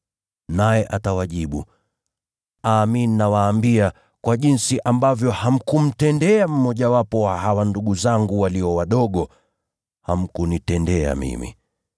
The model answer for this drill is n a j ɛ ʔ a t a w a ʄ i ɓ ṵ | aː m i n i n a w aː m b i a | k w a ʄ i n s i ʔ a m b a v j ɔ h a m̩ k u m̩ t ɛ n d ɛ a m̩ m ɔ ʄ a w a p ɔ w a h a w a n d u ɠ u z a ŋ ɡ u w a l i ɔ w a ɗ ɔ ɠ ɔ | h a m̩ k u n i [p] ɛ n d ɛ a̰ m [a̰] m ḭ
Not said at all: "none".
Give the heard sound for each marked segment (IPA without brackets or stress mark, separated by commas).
t, ḭ